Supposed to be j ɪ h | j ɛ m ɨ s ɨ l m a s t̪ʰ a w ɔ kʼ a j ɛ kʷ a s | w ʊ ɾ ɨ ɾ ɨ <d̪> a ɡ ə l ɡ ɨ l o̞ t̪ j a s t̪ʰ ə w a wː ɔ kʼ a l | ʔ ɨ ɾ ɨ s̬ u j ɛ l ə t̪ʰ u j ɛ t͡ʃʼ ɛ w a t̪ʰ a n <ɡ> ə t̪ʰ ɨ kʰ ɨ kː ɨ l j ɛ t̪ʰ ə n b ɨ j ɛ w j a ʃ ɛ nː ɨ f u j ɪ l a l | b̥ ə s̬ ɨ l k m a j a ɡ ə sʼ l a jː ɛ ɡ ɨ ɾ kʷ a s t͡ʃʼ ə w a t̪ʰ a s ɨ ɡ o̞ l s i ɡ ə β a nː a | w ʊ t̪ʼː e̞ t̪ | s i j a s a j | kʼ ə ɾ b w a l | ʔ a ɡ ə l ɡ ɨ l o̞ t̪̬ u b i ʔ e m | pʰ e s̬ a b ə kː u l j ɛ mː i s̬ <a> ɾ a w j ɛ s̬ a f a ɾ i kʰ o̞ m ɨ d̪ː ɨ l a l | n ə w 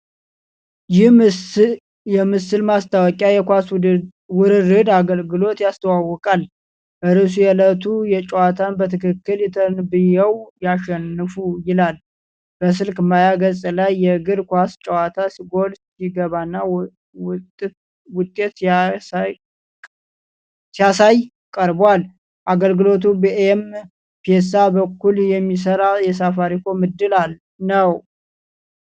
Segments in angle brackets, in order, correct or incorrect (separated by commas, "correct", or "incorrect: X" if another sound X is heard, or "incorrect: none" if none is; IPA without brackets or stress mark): correct, incorrect: b, incorrect: ə